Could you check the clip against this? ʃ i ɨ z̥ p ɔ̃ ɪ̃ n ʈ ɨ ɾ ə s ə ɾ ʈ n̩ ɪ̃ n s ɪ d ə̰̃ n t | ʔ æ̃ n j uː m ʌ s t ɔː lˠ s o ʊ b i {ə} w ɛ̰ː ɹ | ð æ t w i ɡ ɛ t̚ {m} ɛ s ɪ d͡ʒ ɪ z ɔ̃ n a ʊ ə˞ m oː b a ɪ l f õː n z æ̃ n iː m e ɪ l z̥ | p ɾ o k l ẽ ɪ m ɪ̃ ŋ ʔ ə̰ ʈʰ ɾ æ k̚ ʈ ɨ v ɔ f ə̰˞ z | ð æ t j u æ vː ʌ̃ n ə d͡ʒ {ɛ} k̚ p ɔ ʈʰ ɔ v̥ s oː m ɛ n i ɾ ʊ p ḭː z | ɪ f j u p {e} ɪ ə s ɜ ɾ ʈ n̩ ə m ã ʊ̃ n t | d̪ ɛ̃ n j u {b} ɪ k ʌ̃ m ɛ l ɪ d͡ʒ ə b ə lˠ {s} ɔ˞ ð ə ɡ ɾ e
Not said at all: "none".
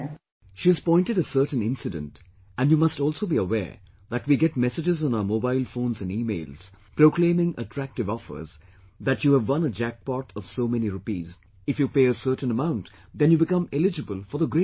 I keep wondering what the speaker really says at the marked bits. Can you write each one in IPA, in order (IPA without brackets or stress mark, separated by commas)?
ə, m, æ, e, b, f